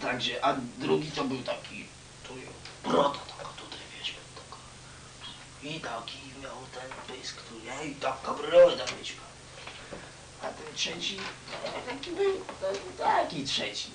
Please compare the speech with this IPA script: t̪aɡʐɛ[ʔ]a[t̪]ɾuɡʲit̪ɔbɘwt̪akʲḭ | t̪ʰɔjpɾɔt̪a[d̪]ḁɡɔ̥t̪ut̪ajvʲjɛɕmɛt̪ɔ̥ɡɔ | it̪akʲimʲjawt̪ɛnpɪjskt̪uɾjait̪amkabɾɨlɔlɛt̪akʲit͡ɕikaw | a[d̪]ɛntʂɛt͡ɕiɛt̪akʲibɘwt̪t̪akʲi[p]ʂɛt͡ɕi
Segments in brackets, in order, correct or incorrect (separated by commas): correct, incorrect, incorrect, incorrect, incorrect